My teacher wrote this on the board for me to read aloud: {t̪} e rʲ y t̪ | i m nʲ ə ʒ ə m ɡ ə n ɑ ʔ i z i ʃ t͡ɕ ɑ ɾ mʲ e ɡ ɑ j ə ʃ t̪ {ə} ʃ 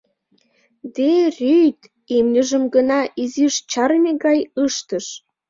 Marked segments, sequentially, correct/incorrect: incorrect: d̪, correct

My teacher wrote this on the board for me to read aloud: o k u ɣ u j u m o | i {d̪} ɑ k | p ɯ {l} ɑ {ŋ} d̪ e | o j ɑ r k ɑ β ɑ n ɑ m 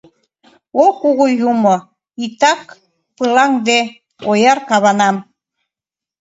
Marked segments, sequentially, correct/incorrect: incorrect: t̪, correct, correct

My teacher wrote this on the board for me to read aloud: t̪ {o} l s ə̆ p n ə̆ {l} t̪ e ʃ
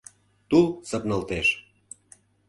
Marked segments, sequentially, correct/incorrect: incorrect: u, correct

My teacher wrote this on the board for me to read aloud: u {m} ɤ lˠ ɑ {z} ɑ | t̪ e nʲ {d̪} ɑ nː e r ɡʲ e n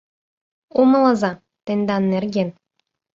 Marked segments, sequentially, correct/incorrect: correct, correct, correct

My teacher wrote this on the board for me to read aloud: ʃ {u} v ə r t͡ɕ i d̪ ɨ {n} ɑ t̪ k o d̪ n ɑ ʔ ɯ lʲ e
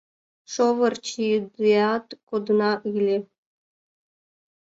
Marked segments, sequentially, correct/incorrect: incorrect: o, incorrect: none

